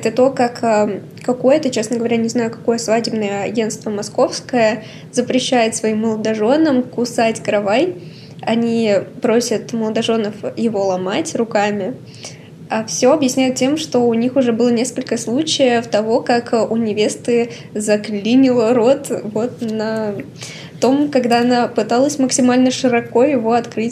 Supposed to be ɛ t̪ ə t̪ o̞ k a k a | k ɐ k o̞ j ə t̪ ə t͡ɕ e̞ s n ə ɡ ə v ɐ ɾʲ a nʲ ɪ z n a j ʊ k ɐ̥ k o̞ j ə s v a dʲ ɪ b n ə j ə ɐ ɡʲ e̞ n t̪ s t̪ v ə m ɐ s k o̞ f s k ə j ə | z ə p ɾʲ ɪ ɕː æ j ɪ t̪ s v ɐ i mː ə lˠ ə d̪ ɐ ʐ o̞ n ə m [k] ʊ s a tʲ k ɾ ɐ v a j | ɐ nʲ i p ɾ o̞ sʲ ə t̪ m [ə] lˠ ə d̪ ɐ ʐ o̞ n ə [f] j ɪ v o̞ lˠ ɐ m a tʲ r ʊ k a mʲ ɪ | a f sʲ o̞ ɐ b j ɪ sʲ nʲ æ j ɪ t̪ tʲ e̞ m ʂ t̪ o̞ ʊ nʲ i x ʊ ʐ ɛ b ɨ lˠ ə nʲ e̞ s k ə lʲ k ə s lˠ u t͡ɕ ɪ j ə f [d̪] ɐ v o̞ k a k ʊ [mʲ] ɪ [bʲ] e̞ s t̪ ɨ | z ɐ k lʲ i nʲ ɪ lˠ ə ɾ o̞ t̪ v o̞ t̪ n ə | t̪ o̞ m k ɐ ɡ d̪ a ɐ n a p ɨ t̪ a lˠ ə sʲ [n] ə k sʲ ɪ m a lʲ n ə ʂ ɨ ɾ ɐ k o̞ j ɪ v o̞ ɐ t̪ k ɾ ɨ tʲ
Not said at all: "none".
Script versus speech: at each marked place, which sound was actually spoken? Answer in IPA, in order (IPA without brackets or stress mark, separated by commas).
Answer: k, ə, f, t̪, nʲ, vʲ, m